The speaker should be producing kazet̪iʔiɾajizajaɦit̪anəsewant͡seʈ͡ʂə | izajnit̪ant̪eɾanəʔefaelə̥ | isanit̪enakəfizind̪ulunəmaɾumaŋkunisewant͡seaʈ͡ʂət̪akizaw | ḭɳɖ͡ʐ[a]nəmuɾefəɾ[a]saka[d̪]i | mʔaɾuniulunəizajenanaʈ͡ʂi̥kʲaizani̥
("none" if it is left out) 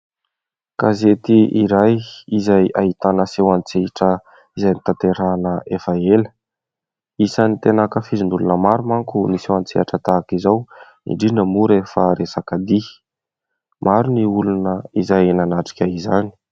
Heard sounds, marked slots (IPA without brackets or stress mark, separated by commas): i, e, d̪